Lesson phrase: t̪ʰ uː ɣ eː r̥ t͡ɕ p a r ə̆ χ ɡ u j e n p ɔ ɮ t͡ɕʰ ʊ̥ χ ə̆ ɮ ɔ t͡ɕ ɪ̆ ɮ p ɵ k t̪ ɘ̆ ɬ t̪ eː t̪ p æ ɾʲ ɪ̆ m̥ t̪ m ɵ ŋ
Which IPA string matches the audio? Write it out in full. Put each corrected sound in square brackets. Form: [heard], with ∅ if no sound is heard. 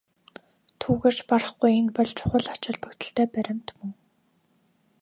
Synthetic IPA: t̪ʰ uː ɣ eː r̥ t͡ɕ p a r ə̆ χ ɡ u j e n p ɔ ɮ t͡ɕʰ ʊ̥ χ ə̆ ɮ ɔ t͡ɕ ɪ̆ ɮ p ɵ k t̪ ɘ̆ ɬ t̪ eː [∅] p æ ɾʲ ɪ̆ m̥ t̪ m ɵ ŋ